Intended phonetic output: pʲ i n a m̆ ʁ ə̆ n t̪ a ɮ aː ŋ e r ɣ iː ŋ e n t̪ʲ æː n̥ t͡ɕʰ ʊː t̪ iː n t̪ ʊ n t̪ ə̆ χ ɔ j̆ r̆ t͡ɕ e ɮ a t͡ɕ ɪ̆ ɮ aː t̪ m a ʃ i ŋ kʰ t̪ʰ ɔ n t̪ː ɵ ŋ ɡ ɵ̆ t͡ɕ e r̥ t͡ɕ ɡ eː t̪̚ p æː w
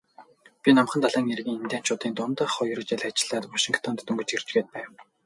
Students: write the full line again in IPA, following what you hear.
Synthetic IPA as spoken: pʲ i n a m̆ χ ə̆ n t̪ a ɮ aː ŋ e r ɣ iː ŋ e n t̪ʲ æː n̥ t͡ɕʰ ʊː t̪ iː n t̪ ʊ n t̪ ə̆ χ ɔ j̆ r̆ t͡ɕ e ɮ a t͡ɕ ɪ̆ ɮ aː t̪ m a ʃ i ŋ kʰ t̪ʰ ɔ n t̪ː ɵ ŋ ɡ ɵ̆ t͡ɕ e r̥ t͡ɕ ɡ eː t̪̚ p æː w